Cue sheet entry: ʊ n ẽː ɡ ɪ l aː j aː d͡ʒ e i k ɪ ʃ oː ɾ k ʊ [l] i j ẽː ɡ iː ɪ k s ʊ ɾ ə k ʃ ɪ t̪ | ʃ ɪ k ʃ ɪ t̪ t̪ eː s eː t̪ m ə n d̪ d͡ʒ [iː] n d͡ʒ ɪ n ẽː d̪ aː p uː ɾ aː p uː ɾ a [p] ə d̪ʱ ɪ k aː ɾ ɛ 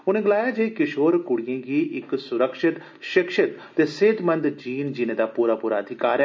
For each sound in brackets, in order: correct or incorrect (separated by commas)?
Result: incorrect, correct, incorrect